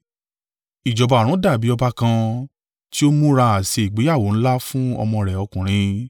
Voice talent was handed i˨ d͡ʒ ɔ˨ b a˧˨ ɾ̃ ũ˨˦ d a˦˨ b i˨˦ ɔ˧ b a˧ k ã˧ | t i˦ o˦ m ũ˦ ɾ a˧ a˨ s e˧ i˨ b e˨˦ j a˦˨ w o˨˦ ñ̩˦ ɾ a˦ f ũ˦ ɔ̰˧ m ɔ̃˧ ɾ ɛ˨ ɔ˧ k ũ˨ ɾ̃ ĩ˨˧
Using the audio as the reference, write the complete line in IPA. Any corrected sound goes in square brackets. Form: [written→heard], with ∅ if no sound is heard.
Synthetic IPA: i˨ d͡ʒ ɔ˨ b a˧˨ ɾ̃ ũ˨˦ d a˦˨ b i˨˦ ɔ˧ b a˧ k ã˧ | t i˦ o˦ m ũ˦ ɾ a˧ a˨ s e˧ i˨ [b→ɡ͡b] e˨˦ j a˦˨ w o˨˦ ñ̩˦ [ɾ→l] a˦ f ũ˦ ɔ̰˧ m ɔ̃˧ ɾ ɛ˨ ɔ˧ k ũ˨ ɾ̃ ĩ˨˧